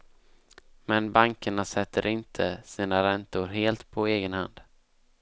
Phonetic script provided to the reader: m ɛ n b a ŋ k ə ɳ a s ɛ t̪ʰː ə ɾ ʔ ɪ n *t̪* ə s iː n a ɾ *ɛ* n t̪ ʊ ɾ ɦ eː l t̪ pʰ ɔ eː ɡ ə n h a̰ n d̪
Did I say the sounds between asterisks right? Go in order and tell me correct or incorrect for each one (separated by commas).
incorrect, correct